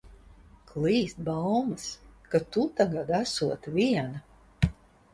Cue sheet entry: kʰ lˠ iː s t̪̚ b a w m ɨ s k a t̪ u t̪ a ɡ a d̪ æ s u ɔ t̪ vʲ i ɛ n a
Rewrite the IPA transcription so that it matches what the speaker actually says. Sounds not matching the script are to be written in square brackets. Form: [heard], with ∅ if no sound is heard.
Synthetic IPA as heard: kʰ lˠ iː s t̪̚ b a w m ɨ s k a t̪ u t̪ a ɡ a d̪ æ s u ɔ t̪ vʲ i ɛ n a